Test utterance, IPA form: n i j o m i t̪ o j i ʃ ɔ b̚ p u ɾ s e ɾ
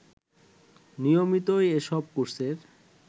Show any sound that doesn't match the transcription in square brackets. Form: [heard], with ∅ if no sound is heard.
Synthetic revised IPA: n i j o m i t̪ o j [e] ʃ ɔ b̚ [k] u ɾ s e ɾ

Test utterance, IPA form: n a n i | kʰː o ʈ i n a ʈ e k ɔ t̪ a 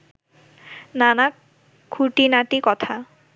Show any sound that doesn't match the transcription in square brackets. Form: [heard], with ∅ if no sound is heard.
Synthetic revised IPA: n a n [a] | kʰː [u] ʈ i n a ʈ [i] k ɔ [t̪ʰ] a

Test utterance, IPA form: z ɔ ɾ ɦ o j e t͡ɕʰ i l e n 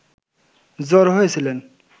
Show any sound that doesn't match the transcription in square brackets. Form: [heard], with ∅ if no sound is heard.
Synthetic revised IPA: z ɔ ɾ ɦ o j e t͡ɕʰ i l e n

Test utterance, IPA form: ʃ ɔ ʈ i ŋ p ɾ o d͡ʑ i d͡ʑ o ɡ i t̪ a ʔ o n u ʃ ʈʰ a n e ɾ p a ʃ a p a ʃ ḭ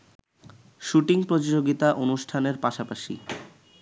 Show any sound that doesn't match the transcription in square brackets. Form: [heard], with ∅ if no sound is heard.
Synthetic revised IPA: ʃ [u] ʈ i ŋ p ɾ o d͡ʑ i d͡ʑ o ɡ i t̪ a ʔ o n u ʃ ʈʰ a n e ɾ p a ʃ a p a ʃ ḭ

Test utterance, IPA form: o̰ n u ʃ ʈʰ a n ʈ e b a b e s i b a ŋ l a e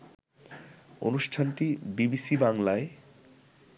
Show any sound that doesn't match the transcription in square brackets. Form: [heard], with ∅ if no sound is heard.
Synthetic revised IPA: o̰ n u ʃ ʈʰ a n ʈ [i] b [i] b [i] s i b a ŋ l a e

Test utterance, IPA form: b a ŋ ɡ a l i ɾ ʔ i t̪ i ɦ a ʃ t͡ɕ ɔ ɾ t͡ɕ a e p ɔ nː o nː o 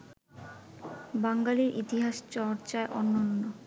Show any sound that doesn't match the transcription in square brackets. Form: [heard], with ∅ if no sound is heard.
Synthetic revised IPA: b a ŋ ɡ a l i ɾ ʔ i t̪ i ɦ a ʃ t͡ɕ ɔ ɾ t͡ɕ a e [ʔ] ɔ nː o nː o

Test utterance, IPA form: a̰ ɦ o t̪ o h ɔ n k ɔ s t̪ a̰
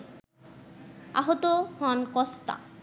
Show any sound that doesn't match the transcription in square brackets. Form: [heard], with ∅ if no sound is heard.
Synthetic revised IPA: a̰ ɦ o t̪ o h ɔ n k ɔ s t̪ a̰

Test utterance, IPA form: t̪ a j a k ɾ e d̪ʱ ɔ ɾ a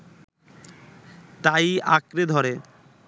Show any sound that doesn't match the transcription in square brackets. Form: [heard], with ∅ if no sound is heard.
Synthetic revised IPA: t̪ a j a k ɾ e d̪ʱ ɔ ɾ [e]

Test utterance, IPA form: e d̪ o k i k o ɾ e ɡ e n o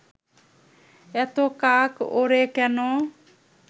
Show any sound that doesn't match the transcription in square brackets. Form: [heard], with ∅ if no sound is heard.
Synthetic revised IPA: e [t̪] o k [a] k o ɾ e [k] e n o

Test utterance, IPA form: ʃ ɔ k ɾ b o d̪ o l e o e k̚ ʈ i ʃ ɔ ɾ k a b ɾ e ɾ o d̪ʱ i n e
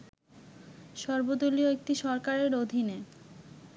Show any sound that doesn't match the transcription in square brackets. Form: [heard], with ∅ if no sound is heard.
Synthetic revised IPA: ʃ ɔ [∅] ɾ b o d̪ o l [i] o e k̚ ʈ i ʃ ɔ ɾ k a [∅] ɾ e ɾ o d̪ʱ i n e

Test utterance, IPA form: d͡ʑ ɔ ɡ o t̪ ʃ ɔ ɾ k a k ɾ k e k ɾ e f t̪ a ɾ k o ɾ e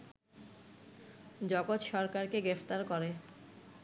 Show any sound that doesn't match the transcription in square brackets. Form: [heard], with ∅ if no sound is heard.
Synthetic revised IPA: d͡ʑ ɔ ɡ o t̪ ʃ ɔ ɾ k a [∅] ɾ k e [ɡ] ɾ e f t̪ a ɾ k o ɾ e

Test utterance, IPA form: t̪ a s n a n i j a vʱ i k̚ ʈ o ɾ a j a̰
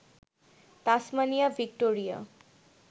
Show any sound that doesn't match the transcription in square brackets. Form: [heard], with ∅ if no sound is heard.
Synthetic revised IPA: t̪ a s [m] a n i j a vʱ i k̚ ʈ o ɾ [i] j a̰

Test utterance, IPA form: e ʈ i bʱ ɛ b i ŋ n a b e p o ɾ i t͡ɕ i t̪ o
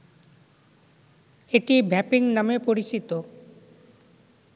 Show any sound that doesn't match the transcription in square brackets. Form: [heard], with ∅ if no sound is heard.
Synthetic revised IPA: e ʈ i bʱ ɛ [p] i ŋ n a [m] e p o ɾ i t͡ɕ i t̪ o

